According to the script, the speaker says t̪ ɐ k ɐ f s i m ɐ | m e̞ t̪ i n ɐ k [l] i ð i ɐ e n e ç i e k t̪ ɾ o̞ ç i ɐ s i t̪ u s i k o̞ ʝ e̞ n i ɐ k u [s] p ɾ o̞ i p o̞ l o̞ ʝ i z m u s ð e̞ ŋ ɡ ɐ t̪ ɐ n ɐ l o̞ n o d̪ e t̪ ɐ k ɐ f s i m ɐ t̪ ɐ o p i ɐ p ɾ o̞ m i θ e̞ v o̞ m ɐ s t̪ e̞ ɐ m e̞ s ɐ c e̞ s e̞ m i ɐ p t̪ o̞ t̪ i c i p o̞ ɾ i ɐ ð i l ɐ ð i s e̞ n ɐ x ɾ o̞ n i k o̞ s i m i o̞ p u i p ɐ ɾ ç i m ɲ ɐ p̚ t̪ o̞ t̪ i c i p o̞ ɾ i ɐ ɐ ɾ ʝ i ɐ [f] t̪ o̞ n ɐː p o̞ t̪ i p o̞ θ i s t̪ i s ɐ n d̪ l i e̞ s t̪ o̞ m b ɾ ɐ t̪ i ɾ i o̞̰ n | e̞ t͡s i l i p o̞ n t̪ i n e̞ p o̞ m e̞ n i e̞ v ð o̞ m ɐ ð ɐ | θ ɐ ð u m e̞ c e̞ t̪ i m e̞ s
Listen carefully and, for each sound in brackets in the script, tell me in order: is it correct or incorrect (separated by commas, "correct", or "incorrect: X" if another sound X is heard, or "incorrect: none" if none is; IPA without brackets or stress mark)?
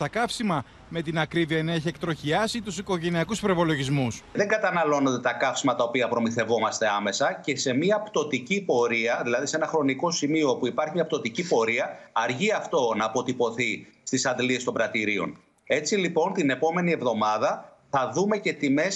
incorrect: ɾ, correct, correct